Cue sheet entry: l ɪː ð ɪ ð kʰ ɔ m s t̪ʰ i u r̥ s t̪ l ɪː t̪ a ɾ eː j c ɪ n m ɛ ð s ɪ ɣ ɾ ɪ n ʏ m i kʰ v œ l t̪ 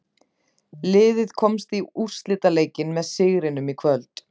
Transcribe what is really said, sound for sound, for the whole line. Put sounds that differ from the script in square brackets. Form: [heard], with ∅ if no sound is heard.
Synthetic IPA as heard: l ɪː ð ɪ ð kʰ ɔ m s [t̪] i u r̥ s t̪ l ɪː t̪ a [l] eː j c ɪ n m ɛ ð s ɪ ɣ ɾ ɪ n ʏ m i kʰ v œ l t̪